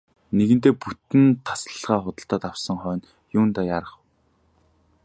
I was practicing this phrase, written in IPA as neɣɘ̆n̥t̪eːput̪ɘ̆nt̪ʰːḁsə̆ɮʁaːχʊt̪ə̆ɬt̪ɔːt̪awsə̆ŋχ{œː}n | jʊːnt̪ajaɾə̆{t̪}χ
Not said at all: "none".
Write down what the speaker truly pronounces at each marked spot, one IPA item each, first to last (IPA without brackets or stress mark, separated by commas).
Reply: œː, none